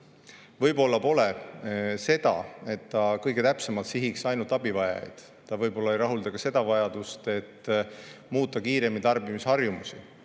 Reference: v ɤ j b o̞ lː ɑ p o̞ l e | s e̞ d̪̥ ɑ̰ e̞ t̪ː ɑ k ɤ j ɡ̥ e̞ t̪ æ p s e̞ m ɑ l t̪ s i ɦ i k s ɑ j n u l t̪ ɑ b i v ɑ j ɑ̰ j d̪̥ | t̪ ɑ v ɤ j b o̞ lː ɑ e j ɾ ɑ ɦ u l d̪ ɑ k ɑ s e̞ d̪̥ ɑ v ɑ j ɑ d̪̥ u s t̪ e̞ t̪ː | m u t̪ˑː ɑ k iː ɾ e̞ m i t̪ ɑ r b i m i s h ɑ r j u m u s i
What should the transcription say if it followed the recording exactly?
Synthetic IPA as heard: v ɤ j b o̞ lː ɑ p o̞ l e | s e̞ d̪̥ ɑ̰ e̞ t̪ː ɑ k ɤ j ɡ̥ e̞ t̪ æ p s e̞ m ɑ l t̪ s i ɦ i k s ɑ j n u l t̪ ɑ b i v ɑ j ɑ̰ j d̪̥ | t̪ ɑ v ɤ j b o̞ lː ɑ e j ɾ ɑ ɦ u l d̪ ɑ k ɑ s e̞ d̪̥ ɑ v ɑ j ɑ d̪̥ u s t̪ e̞ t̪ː | m uː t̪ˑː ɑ k iː ɾ e̞ m i t̪ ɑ r b i m i s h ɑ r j u m u s i